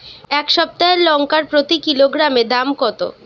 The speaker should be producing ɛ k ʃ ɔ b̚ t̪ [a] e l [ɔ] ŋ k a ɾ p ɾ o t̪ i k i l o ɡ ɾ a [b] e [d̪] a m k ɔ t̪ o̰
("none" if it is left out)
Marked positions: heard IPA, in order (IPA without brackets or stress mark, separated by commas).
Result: a, ɔ, m, d̪